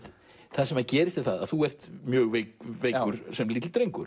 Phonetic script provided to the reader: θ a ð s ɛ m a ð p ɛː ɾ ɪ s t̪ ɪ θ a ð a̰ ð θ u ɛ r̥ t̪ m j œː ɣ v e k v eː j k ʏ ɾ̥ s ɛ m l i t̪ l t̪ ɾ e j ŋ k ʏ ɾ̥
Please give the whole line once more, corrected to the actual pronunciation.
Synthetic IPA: θ a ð s ɛ m a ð c ɛː ɾ ɪ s t̪ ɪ θ a ð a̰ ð θ u ɛ r̥ t̪ m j œː ɣ v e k v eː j k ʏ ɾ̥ s ɛ m l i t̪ l t̪ ɾ e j ŋ k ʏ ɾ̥